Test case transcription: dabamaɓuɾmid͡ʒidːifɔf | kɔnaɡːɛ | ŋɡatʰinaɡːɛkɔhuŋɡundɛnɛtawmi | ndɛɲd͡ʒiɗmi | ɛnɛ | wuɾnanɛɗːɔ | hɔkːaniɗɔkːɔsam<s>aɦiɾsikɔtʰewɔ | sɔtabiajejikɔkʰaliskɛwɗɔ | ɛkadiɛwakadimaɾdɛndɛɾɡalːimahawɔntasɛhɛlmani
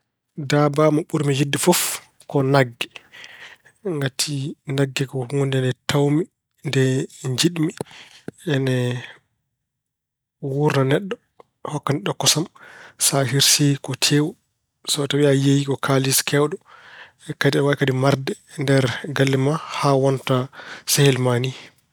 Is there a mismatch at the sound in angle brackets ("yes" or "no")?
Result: no